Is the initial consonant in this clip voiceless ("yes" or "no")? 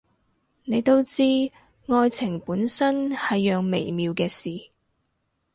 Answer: no